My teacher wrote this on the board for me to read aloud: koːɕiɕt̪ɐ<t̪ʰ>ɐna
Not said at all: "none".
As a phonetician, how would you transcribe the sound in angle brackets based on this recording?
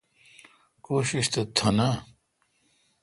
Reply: t̪ʰ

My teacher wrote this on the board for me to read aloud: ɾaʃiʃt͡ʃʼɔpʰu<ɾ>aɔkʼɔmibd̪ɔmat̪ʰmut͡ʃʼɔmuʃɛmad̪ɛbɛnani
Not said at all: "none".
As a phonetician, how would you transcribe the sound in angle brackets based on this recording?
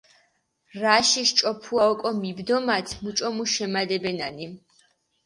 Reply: none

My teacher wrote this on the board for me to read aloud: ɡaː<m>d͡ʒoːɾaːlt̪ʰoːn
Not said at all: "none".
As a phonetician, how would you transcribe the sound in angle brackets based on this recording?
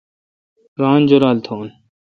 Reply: n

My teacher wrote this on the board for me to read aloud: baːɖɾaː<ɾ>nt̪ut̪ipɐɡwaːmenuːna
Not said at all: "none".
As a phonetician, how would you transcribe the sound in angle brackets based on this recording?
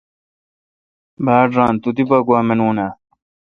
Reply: none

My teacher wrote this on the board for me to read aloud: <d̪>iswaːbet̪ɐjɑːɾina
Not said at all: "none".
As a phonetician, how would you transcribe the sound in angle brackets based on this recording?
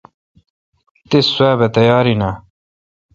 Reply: t̪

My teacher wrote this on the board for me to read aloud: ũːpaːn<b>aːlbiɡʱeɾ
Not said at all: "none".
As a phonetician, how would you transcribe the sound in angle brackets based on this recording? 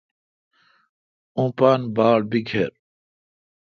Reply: b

